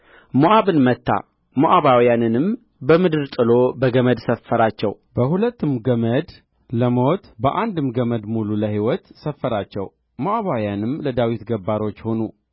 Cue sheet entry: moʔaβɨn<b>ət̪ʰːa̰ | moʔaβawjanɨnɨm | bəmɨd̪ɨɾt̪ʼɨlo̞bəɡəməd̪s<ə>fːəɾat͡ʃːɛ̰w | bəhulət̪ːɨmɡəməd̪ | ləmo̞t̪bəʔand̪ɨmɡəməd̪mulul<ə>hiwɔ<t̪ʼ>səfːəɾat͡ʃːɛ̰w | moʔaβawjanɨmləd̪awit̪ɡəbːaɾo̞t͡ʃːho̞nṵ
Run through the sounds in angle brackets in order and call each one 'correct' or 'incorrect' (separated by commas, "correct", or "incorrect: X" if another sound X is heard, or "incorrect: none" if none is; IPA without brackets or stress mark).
incorrect: m, correct, correct, incorrect: t̪